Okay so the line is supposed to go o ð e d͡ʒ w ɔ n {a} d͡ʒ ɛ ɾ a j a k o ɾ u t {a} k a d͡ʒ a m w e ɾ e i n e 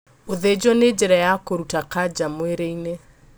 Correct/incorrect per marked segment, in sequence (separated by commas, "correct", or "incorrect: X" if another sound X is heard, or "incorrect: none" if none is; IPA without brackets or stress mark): incorrect: e, correct